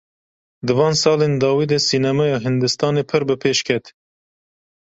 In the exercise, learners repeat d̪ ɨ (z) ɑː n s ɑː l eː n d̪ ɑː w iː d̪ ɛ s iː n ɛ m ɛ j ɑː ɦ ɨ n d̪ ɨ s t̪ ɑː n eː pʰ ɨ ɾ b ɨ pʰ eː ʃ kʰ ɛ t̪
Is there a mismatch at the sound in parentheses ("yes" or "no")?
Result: yes